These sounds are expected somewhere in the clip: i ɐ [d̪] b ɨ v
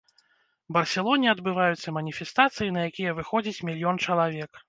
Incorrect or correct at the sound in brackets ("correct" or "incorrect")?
correct